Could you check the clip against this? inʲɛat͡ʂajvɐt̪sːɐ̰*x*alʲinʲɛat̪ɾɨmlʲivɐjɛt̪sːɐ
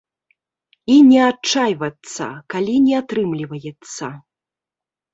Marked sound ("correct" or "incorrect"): incorrect